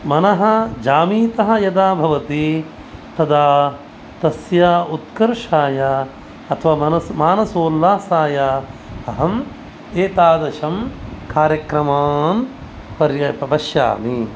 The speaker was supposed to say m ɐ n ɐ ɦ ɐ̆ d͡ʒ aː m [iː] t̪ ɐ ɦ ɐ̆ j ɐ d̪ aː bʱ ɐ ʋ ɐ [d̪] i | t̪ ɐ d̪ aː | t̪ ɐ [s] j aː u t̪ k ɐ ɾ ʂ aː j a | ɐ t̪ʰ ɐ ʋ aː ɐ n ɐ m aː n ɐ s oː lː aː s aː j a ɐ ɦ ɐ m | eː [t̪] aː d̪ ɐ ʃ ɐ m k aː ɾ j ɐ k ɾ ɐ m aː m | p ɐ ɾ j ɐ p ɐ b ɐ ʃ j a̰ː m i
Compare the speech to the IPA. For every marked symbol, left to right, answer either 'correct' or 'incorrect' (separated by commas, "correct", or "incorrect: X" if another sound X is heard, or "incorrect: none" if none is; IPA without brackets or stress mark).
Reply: correct, incorrect: t̪, correct, correct